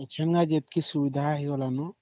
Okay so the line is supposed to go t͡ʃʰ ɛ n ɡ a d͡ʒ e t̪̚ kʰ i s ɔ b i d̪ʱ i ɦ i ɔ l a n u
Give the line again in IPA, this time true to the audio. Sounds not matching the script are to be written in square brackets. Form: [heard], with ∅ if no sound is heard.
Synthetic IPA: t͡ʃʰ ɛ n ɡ a d͡ʒ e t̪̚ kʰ i s [u] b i d̪ʱ [a] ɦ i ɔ l a n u